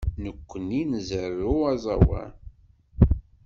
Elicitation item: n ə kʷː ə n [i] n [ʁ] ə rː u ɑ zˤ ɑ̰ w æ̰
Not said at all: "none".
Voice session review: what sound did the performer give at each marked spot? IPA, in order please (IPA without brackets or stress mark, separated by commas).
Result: i, z